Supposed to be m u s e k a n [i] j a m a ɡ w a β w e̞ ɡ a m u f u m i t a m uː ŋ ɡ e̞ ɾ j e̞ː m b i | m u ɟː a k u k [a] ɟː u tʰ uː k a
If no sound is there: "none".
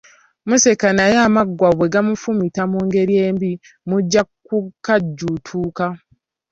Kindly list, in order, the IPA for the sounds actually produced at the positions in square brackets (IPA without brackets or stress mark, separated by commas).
a, a